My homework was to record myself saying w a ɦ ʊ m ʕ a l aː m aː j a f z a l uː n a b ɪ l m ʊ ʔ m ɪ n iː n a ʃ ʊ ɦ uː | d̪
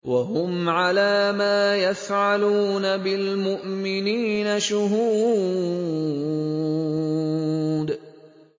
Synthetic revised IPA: w a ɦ ʊ m ʕ a l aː m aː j a f ʕ a l uː n a b ɪ l m ʊ ʔ m ɪ n iː n a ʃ ʊ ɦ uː | d̪